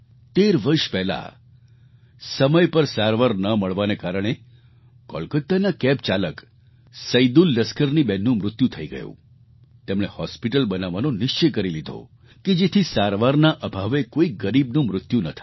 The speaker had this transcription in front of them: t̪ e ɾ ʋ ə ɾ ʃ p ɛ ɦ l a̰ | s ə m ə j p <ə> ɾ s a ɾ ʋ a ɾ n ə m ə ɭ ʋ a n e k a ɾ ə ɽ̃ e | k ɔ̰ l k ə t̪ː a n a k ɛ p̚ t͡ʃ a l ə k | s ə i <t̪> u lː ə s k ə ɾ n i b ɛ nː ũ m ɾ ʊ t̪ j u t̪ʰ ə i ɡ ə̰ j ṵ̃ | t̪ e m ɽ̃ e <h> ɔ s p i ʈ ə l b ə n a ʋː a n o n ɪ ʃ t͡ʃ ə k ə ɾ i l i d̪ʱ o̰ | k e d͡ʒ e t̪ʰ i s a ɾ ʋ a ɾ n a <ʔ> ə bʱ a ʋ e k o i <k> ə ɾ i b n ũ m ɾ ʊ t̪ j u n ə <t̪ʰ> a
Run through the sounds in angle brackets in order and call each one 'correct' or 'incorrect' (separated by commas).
correct, incorrect, correct, correct, incorrect, correct